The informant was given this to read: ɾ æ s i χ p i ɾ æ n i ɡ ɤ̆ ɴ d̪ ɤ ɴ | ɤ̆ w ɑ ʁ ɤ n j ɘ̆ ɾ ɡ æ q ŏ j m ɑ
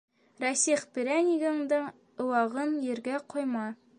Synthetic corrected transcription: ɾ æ s i χ p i ɾ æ n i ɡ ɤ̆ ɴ d̪ ɤ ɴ | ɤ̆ w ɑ ʁ ɤ n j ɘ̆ ɾ ɡ æ q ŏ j m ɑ

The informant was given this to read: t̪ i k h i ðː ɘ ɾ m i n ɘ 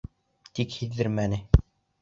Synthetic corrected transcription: t̪ i k h i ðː ɘ ɾ m æ n ɘ

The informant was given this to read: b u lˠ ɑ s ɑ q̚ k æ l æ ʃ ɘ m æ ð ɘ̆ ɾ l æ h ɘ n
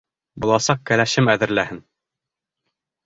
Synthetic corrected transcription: b u lˠ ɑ s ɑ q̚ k æ l æ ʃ ɘ m æ ð ɘ̆ ɾ l æ h ɘ n

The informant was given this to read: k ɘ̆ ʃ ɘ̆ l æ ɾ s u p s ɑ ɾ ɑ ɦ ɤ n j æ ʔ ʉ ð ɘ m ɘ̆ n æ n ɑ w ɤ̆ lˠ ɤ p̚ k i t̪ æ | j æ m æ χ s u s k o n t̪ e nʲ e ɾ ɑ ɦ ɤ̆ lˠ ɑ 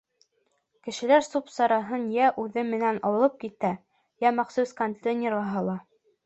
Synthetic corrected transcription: k ɘ̆ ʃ ɘ̆ l æ ɾ s u p s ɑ ɾ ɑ ɦ ɤ n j æ ʔ ʉ ð ɘ m ɘ̆ n æ n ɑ w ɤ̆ lˠ ɤ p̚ k i t̪ æ | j æ m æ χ s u s k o n t̪ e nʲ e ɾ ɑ ɦ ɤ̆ lˠ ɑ

